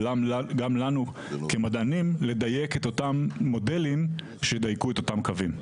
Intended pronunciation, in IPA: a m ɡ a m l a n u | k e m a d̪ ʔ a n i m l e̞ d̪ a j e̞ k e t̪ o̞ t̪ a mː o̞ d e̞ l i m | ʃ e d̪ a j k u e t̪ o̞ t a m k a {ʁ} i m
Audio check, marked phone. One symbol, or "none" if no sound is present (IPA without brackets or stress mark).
v